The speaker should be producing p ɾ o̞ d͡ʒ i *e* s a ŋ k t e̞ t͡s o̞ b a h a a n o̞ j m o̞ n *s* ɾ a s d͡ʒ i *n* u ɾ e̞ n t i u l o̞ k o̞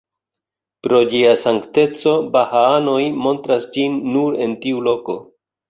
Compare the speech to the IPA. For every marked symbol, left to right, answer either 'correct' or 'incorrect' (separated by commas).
incorrect, incorrect, incorrect